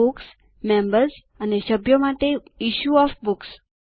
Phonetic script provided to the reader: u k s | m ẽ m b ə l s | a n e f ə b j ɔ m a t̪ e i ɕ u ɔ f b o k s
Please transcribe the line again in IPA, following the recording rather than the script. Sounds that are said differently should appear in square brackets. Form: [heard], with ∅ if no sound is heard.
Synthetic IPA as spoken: u k s | m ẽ m b ə [ɾ] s | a n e [ɕ] ə b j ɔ m a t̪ e i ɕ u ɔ f b [u] k s